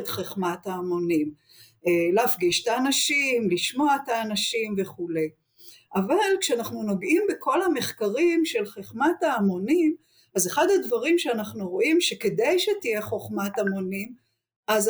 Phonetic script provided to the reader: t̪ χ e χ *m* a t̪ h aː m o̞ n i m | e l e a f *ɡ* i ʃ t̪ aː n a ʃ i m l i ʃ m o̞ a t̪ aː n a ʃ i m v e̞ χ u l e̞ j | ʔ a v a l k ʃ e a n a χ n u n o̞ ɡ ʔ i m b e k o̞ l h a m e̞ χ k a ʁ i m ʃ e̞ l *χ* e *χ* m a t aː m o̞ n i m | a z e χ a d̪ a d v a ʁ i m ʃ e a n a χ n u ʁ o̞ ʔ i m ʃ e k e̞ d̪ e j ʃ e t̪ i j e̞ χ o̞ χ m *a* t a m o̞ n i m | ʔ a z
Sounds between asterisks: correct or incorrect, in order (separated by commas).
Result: correct, correct, correct, correct, correct